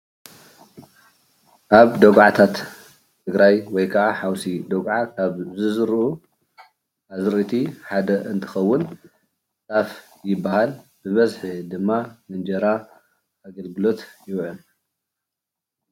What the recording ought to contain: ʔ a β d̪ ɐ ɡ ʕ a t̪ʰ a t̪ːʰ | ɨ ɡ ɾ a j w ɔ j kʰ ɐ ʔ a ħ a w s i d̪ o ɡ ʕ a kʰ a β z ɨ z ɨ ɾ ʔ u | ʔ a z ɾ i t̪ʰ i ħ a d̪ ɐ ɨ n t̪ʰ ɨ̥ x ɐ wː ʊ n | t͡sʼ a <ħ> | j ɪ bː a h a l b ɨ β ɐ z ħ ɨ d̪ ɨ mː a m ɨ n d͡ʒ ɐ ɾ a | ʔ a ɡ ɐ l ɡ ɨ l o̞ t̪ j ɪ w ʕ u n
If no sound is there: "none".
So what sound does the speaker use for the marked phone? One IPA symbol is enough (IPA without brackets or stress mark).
f